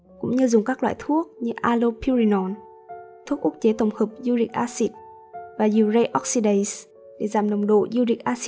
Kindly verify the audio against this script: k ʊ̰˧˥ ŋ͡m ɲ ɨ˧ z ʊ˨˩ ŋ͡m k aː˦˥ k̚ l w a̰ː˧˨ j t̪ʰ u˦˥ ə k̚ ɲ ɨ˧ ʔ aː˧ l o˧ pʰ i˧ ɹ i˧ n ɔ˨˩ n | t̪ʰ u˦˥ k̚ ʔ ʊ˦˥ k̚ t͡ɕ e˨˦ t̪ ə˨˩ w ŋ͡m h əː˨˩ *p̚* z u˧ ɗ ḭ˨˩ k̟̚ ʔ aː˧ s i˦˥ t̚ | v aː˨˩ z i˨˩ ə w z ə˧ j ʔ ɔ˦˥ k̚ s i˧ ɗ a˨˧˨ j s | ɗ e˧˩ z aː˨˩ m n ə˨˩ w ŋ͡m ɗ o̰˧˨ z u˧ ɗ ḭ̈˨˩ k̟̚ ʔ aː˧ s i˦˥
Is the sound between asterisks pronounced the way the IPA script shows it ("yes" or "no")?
yes